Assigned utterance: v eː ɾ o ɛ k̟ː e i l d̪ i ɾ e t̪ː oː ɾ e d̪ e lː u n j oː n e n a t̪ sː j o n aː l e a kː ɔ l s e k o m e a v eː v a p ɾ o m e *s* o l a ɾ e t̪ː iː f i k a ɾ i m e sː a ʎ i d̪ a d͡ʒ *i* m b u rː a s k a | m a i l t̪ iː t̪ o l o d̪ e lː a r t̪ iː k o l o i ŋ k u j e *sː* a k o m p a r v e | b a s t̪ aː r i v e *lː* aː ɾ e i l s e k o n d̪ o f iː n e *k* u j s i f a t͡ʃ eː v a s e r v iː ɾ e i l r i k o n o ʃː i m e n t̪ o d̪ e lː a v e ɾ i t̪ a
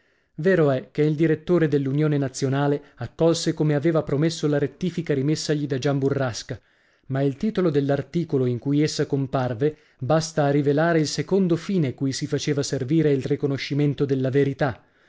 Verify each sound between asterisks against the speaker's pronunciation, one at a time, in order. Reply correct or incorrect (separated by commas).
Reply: incorrect, incorrect, correct, incorrect, correct